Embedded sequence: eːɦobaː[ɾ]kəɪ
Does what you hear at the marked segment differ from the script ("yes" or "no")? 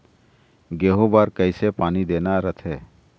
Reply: no